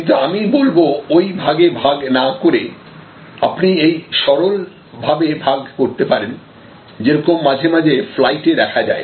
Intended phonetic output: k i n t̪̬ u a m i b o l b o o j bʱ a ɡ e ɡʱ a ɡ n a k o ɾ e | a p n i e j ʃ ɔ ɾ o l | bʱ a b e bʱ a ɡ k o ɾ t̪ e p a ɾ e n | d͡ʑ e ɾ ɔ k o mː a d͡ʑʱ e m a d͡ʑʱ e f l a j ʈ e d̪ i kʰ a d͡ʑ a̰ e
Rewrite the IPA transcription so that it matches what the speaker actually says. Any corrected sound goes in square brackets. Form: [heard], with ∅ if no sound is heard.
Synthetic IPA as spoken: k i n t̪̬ u a m i b o l b o o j bʱ a ɡ e [bʱ] a ɡ n a k o ɾ e | a p n i e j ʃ ɔ ɾ o l | bʱ a b e bʱ a ɡ k o ɾ t̪ e p a ɾ e n | d͡ʑ e ɾ ɔ k o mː a d͡ʑʱ e m a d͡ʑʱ e f l a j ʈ e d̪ [ɛ] kʰ a d͡ʑ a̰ e